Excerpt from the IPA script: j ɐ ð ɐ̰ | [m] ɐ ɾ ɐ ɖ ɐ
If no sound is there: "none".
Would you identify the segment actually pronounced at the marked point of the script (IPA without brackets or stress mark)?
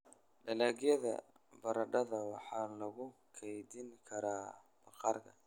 b